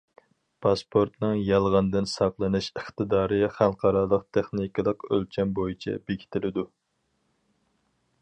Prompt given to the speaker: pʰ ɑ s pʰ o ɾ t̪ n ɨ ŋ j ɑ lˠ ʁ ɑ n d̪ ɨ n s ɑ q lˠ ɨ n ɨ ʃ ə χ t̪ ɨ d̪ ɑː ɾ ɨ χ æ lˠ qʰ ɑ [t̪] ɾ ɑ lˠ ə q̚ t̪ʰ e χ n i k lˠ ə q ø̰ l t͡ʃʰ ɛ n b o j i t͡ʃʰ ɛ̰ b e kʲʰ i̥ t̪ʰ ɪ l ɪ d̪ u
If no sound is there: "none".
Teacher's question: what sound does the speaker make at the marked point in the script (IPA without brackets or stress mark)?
none